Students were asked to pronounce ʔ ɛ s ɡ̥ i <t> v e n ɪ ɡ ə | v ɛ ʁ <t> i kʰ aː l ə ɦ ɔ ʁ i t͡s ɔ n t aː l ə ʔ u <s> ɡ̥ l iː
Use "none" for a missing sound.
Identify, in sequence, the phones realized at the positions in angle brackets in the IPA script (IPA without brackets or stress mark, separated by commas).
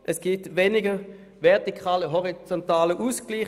t, t, s